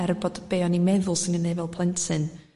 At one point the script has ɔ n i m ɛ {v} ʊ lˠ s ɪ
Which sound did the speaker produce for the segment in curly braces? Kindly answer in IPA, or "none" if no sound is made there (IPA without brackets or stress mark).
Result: ð